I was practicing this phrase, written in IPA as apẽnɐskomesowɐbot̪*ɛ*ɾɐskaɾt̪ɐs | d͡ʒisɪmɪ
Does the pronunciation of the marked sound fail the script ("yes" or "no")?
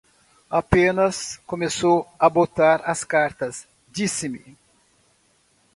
yes